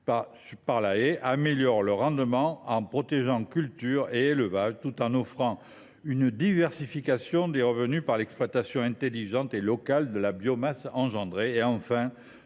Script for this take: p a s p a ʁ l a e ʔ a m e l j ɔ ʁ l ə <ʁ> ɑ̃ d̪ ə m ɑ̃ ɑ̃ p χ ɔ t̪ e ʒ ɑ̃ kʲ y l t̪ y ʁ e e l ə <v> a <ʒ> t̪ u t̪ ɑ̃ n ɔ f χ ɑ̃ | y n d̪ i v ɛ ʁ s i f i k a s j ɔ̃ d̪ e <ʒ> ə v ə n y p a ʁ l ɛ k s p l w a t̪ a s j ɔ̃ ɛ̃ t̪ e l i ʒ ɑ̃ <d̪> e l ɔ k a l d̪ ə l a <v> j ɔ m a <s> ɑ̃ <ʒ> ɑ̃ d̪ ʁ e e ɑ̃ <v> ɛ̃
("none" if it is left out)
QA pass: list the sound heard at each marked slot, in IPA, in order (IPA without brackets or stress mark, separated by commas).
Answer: ʁ, v, ʒ, ʁ, t̪, b, s, ʒ, f